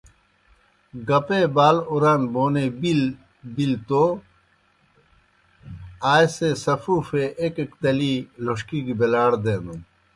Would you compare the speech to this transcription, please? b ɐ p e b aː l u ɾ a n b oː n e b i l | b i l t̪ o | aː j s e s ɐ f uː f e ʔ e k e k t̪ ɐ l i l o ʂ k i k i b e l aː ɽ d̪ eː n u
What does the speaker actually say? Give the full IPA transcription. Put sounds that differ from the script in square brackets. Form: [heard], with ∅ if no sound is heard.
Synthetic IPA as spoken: [ɡ] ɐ p e b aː l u ɾ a n b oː n e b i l | b i l t̪ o | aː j s e s ɐ f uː f e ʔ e k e k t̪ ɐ l i l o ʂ k i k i b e l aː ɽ d̪ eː n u